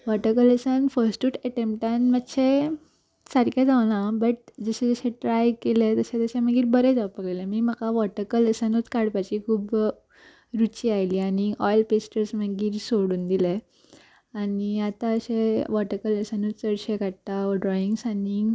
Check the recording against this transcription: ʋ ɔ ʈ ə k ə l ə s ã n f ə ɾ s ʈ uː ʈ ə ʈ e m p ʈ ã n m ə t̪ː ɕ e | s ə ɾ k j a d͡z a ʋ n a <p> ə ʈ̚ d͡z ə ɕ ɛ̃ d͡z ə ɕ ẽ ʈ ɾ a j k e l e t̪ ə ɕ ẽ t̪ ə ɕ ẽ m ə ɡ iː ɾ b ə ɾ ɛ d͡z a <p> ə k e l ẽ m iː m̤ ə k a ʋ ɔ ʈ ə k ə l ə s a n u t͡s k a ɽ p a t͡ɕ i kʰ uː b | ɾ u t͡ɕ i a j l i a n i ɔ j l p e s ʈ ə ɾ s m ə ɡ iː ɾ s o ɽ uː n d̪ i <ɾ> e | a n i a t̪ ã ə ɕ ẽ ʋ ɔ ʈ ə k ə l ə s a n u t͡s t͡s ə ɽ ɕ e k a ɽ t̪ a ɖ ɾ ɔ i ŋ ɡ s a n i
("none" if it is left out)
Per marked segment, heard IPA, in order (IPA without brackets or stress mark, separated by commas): b, p, l